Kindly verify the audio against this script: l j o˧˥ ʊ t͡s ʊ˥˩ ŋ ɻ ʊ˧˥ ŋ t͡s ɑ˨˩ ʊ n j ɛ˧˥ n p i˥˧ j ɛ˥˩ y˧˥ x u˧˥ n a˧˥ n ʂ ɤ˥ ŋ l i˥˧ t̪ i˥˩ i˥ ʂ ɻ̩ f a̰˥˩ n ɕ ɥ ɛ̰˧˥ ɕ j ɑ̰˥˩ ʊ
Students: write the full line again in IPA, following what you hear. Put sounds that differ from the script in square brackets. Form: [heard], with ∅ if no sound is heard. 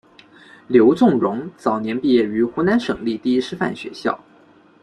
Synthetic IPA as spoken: l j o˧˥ ʊ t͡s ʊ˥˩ ŋ ɻ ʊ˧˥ ŋ t͡s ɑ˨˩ ʊ n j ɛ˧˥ n p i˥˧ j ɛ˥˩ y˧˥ x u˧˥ n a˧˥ n ʂ [ɤ˨˩] ŋ l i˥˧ t̪ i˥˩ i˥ ʂ ɻ̩ f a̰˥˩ n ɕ ɥ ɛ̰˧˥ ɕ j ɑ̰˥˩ ʊ